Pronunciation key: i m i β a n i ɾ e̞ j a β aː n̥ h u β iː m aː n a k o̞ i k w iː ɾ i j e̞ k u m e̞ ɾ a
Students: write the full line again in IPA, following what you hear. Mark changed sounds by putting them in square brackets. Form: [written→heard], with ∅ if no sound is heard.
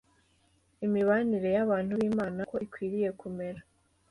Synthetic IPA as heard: i m i β a n i ɾ e̞ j a β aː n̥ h u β iː m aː n a k o̞ i k w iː ɾ i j e̞ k u m e̞ ɾ a